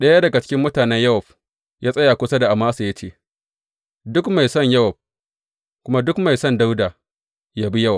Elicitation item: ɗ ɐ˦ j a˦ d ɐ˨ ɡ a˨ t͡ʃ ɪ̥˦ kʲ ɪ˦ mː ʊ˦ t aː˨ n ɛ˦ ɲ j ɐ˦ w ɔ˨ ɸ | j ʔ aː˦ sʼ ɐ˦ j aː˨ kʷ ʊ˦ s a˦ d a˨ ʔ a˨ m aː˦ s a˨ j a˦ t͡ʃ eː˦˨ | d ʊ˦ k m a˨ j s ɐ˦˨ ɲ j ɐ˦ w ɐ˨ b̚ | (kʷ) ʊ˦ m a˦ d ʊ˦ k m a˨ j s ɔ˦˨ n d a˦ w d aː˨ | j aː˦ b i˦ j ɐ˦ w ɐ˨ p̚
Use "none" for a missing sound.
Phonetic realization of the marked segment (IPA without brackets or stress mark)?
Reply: kʷ